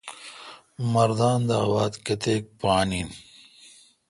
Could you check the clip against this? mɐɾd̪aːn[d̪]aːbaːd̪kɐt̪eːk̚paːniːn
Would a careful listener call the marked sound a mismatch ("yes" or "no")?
no